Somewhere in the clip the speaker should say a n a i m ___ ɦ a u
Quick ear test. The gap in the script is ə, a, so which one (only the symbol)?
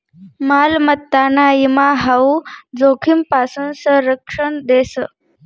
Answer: a